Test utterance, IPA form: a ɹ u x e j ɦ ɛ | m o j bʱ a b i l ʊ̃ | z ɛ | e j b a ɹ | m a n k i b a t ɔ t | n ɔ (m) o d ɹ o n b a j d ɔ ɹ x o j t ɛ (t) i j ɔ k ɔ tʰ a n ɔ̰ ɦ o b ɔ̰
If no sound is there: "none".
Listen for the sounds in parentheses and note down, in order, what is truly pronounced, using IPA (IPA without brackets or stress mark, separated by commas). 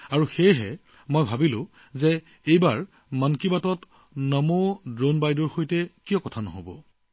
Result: m, k